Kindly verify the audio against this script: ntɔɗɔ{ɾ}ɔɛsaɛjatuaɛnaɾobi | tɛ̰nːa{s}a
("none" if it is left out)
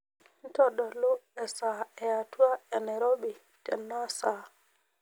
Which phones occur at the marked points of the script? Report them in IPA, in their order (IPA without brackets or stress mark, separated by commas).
l, s